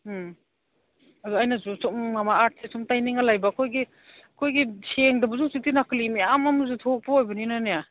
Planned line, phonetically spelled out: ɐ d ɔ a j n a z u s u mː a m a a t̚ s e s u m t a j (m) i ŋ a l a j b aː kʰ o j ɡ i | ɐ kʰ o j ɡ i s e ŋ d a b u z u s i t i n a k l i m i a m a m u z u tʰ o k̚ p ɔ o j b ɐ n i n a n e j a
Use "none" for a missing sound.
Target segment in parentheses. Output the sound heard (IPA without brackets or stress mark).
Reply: n